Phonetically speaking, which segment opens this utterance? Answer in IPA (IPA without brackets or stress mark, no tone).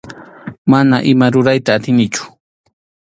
m